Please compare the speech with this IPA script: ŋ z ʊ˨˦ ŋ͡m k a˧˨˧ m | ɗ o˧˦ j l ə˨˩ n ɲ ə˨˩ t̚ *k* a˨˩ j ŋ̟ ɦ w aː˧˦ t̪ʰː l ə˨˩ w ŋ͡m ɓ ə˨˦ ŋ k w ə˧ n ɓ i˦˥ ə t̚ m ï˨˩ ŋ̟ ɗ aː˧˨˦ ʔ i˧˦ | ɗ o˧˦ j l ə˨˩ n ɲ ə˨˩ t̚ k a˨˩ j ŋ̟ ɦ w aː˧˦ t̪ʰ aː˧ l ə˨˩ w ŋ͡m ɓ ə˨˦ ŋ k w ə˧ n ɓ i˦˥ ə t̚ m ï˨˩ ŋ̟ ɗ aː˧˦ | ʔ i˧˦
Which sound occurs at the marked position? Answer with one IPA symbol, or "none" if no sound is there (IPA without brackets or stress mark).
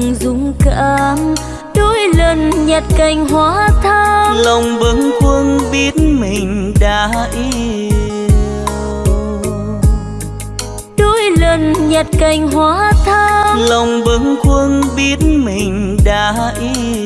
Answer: k